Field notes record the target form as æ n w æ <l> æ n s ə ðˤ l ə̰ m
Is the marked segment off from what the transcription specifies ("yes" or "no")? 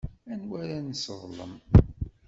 yes